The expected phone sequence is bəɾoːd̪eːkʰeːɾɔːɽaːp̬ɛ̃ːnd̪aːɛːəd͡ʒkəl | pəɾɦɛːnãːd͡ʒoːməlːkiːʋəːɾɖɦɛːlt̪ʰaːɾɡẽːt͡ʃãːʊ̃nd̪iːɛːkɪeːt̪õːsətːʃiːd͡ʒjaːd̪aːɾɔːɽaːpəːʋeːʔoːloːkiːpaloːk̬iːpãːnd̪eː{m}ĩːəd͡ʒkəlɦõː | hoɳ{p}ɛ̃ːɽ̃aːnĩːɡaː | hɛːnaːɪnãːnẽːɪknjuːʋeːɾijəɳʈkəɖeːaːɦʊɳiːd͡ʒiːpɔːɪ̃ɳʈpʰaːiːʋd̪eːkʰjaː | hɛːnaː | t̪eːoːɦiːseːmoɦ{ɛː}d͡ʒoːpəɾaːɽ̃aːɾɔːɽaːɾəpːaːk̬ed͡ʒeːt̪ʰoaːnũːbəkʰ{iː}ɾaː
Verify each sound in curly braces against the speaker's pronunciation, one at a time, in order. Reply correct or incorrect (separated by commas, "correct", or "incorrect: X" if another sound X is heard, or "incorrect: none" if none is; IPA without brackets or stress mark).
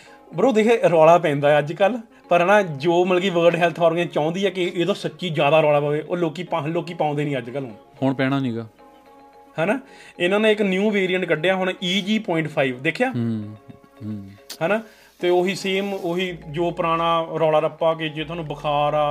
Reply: incorrect: n, correct, incorrect: iː, incorrect: aː